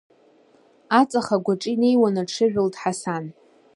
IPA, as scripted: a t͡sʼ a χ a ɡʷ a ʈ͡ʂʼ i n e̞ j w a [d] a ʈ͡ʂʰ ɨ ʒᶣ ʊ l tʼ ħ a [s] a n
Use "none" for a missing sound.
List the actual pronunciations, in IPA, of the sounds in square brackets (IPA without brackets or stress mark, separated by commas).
n, s